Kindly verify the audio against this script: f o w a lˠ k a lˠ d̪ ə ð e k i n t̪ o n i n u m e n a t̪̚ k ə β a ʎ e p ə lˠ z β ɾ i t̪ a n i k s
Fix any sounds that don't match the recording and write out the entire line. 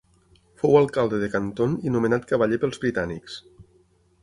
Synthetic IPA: f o w a lˠ k a lˠ d̪ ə ð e k a n t̪ o n i n u m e n a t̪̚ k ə β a ʎ e p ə lˠ z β ɾ i t̪ a n i k s